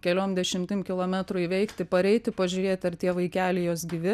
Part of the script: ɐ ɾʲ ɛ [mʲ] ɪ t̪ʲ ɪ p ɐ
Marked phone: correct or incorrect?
incorrect